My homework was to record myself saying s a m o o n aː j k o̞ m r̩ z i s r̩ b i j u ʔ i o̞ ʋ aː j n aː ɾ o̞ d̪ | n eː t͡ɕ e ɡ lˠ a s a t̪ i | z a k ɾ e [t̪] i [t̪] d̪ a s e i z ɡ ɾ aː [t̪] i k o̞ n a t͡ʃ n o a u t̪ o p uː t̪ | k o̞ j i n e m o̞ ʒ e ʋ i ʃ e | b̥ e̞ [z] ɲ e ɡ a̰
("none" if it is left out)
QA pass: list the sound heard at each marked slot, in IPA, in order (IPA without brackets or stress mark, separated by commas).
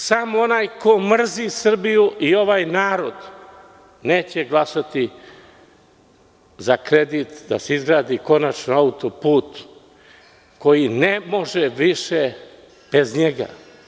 d̪, t̪, d̪, z